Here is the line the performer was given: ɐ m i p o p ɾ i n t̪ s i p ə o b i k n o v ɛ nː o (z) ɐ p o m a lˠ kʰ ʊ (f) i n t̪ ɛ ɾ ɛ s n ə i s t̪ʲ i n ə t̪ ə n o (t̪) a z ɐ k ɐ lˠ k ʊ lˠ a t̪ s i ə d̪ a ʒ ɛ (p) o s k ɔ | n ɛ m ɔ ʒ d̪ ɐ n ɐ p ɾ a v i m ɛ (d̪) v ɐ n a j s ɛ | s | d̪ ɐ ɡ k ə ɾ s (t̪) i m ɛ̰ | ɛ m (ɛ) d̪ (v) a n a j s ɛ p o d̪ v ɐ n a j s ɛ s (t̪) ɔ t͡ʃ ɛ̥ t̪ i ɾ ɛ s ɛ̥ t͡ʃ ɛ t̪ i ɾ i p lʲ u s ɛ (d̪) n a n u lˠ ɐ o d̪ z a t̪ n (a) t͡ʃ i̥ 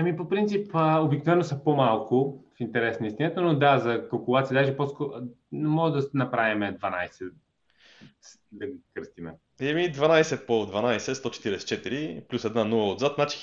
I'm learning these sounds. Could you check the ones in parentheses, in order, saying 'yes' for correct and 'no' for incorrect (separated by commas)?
no, yes, no, yes, yes, yes, no, yes, yes, yes, yes